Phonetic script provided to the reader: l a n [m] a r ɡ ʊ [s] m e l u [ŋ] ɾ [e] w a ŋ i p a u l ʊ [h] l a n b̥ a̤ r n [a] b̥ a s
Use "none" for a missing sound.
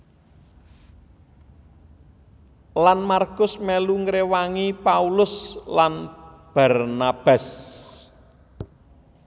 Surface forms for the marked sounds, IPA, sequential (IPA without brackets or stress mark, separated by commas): m, s, ŋ, e, s, a